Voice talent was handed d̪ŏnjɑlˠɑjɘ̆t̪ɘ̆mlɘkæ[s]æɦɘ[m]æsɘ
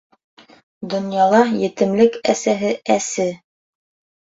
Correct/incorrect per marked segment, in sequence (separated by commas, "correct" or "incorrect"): correct, incorrect